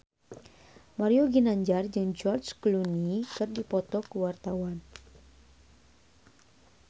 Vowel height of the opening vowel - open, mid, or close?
open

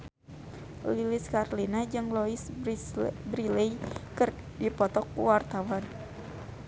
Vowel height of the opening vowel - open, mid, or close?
close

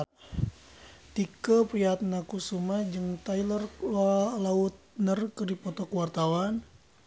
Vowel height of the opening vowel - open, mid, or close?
close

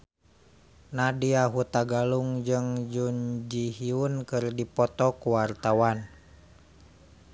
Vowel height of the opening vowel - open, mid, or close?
open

